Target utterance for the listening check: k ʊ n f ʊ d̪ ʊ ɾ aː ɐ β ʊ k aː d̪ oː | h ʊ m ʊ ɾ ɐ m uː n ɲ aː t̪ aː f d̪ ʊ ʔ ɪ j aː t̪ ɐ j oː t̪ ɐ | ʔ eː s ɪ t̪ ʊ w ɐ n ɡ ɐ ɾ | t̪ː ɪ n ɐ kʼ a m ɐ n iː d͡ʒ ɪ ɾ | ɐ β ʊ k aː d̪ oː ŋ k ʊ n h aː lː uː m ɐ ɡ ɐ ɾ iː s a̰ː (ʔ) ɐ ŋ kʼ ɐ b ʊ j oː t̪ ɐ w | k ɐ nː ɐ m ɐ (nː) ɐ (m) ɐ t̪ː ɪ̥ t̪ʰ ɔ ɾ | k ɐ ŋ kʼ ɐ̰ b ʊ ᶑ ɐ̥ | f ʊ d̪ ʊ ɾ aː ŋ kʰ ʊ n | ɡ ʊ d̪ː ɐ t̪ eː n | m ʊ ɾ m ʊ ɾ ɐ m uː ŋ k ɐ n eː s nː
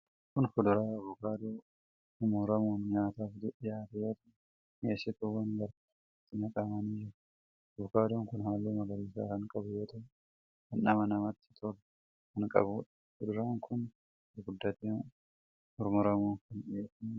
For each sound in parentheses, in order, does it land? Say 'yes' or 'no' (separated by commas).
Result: no, no, yes